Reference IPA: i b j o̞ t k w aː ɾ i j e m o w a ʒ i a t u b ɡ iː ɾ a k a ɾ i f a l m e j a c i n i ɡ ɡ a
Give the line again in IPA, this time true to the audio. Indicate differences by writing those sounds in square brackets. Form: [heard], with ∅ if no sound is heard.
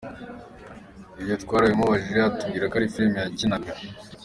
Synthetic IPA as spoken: i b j o̞ t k w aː ɾ [a] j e m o [β] a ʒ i a t u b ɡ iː ɾ a k a ɾ i f [i] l m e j a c i n [a] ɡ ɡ a